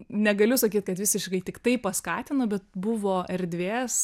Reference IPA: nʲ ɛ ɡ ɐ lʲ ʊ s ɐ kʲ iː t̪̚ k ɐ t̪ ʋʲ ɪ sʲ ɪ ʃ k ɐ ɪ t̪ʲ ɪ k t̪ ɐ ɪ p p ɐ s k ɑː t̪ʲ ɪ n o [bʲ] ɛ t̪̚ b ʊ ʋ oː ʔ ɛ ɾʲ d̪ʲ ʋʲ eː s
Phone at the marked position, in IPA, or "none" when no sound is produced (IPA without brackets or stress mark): bʲ